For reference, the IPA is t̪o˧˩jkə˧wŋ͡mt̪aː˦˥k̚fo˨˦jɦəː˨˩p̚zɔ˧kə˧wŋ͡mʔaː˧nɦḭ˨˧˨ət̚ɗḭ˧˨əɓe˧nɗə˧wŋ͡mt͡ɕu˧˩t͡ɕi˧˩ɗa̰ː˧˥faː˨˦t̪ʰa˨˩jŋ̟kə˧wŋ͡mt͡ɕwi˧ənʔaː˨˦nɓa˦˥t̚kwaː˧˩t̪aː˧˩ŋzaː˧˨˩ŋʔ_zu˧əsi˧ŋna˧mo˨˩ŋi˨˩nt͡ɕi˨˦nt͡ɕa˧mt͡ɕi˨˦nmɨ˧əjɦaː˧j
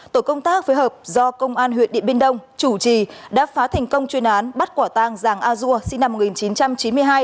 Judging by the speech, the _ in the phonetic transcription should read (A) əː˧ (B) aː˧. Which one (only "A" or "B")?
B